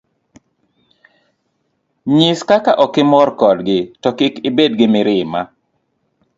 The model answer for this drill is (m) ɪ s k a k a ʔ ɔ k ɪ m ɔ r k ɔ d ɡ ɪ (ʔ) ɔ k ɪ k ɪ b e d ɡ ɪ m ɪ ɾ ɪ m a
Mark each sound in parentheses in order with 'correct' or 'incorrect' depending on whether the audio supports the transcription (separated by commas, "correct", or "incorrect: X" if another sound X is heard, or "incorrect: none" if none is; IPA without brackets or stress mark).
incorrect: ɲ, incorrect: t